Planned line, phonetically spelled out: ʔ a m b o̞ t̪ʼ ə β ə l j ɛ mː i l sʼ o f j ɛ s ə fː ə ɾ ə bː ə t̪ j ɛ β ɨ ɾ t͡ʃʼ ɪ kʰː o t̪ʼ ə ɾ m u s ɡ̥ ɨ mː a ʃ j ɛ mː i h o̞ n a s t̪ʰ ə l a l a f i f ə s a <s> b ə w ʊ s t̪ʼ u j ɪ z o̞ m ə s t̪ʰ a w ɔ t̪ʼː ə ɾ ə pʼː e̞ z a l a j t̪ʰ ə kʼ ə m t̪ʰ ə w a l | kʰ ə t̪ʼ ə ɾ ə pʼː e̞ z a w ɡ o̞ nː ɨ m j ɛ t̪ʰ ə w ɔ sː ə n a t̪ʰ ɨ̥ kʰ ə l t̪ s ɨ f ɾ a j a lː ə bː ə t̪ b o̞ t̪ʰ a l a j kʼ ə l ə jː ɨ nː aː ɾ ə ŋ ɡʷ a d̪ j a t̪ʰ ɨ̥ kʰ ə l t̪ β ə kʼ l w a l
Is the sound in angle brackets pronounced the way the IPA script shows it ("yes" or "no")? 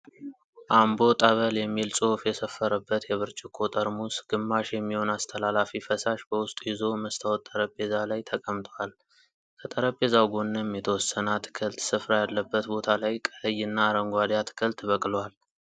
no